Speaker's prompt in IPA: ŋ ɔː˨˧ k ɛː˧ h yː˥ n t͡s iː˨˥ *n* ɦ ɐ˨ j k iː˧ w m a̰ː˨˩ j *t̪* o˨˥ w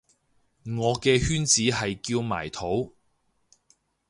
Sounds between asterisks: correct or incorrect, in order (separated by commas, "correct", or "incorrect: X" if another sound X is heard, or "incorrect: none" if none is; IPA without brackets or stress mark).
incorrect: none, incorrect: t̪ʰ